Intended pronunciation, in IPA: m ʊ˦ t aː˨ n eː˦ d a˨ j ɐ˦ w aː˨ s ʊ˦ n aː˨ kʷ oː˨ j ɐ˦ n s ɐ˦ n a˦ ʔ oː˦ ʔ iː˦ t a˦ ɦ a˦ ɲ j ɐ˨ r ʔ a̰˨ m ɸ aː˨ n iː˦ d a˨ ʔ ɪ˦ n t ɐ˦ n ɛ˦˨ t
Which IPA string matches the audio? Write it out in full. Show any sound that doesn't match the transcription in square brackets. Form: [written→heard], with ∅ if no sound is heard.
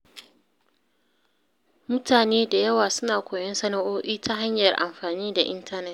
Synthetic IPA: m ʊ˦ t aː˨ n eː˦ d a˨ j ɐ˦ w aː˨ s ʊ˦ n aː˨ kʷ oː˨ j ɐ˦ n s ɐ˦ n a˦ ʔ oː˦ ʔ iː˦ t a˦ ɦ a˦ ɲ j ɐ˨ r ʔ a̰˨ m ɸ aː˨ n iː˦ d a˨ ʔ ɪ˦ n t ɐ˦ n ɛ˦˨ t